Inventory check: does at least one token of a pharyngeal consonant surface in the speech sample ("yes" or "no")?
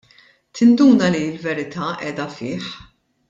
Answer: yes